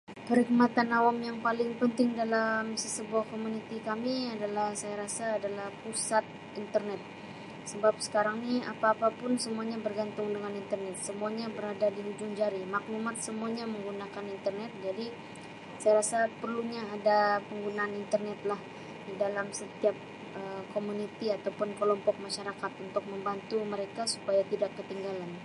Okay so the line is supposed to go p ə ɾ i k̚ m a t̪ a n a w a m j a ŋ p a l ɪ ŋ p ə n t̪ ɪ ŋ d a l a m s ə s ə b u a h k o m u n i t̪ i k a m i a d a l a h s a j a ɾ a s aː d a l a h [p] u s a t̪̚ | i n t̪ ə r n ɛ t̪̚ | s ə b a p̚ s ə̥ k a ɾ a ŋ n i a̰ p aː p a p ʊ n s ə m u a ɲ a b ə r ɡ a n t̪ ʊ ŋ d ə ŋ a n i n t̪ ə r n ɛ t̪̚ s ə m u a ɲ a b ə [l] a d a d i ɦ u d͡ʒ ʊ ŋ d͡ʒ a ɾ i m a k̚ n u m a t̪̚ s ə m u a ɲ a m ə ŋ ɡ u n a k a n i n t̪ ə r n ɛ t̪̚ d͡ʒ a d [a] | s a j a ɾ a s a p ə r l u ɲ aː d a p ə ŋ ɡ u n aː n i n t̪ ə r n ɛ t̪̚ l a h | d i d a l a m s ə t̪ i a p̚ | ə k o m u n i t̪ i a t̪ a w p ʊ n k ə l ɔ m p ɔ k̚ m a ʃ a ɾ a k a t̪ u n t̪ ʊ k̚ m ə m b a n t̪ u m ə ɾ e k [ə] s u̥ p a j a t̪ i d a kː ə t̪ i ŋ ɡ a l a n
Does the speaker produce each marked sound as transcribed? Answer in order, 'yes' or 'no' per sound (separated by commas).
yes, no, no, no